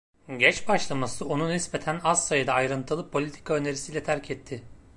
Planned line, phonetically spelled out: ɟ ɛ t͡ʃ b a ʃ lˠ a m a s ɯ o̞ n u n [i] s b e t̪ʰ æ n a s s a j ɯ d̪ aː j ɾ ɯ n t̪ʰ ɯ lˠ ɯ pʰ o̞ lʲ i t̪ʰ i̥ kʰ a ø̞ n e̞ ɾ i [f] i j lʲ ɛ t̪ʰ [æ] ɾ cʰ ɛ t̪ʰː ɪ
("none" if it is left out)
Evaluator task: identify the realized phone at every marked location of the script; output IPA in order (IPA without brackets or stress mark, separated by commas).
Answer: i, s, æ